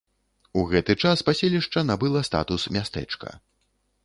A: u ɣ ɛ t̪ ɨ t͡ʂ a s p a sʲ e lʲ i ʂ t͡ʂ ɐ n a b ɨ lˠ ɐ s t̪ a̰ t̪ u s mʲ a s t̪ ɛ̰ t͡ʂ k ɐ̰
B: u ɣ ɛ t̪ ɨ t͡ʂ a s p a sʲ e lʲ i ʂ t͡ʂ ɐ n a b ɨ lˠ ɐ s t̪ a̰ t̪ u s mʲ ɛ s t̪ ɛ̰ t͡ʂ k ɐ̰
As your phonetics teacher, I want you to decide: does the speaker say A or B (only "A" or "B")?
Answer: A